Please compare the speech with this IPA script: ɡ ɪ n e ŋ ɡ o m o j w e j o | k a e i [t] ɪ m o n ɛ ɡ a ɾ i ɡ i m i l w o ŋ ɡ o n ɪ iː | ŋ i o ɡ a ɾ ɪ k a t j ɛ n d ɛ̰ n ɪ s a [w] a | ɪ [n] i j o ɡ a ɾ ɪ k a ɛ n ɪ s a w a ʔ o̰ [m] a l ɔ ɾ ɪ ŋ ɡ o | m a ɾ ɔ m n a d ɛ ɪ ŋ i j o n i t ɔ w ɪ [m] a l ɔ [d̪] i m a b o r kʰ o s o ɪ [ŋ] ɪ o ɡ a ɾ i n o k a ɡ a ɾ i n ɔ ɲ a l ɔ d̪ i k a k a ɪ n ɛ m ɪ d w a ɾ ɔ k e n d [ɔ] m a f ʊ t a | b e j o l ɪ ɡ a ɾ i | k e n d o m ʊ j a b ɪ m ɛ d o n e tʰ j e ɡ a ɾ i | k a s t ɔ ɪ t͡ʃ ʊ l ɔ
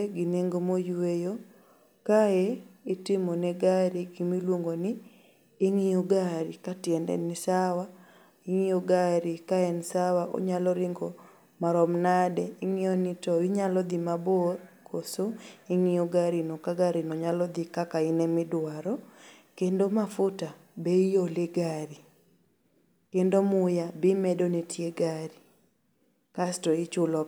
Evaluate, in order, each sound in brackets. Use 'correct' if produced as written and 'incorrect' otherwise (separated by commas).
correct, correct, incorrect, incorrect, incorrect, correct, correct, incorrect